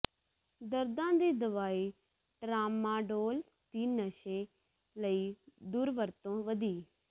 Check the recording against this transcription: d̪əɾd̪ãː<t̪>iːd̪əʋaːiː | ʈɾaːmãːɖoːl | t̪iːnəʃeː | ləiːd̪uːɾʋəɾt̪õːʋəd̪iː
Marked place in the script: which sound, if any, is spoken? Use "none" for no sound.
d̪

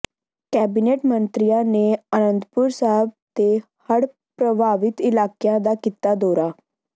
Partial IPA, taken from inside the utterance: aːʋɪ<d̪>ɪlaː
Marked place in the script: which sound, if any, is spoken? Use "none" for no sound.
t̪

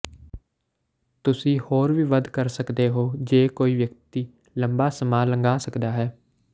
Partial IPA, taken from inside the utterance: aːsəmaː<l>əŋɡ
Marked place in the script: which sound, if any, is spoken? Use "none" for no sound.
l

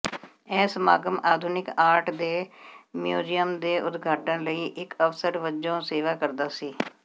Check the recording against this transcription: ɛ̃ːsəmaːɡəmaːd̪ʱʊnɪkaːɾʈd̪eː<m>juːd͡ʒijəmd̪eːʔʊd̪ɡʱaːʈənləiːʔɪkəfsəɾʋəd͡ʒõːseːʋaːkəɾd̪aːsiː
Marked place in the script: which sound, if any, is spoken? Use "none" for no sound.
m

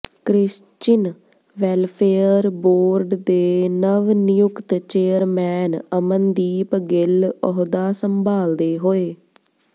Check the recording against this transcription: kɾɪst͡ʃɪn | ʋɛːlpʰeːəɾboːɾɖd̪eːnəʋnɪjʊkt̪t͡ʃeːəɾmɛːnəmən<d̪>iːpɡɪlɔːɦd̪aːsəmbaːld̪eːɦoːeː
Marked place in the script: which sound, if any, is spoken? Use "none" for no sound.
d̪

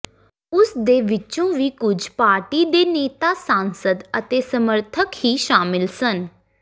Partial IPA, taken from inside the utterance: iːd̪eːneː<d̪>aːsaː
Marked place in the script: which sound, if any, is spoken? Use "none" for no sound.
t̪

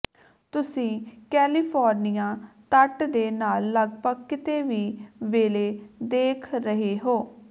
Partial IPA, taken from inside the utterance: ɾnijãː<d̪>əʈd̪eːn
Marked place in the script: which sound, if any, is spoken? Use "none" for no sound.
t̪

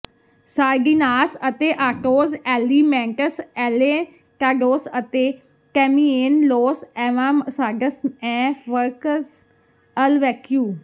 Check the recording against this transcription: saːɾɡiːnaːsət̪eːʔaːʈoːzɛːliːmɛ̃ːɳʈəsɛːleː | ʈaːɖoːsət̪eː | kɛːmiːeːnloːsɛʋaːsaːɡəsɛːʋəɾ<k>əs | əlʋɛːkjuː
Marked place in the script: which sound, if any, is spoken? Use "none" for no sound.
k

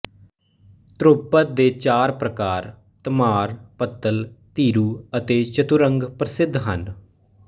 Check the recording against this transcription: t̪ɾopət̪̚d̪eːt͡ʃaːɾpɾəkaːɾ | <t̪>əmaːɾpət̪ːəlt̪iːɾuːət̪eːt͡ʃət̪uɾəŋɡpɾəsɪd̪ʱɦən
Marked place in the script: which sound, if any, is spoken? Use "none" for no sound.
t̪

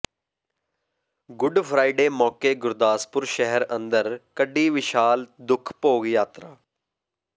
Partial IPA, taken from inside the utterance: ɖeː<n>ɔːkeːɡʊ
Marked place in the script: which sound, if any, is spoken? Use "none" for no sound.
m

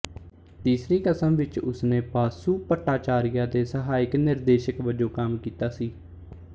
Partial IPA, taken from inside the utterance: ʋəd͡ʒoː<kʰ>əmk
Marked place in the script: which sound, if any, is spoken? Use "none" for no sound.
k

